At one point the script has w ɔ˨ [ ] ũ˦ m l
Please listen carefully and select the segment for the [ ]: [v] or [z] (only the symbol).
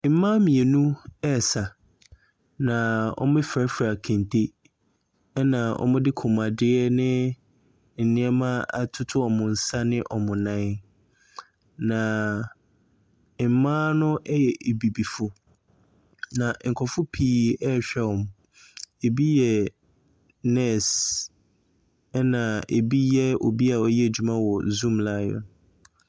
z